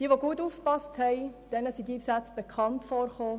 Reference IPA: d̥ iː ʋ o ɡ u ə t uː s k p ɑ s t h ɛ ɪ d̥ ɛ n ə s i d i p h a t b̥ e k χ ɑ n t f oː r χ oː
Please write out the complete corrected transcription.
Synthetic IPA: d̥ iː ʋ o ɡ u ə t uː f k p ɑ s t h ɛ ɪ d̥ ɛ n ə s i d i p s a t͡s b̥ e k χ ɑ n t f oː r χ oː